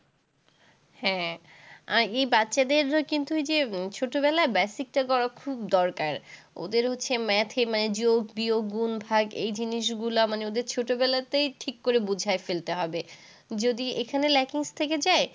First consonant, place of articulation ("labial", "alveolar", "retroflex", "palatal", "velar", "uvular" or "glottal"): glottal